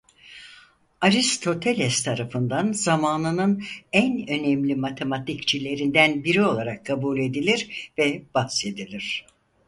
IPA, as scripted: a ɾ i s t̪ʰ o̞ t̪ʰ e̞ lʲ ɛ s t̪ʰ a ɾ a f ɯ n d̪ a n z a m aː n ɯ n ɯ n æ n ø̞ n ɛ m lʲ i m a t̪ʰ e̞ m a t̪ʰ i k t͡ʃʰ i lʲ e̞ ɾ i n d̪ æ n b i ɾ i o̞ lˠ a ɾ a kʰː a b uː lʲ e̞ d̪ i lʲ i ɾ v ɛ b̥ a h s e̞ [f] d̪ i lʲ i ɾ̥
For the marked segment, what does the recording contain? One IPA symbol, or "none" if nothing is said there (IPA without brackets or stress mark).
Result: none